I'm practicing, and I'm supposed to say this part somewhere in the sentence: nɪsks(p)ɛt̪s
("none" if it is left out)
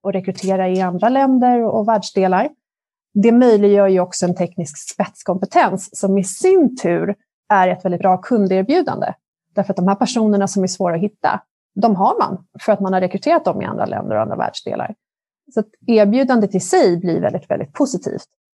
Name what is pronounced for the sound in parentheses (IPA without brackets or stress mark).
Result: p